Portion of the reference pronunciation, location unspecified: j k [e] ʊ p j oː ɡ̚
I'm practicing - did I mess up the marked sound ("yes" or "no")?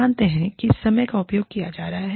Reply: yes